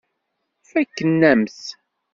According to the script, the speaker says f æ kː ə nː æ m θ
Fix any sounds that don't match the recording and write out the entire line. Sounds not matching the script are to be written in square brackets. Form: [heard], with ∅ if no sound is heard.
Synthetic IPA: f æ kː ə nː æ m θ